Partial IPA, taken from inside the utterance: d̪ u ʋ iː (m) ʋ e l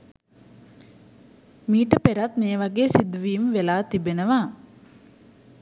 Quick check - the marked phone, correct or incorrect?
correct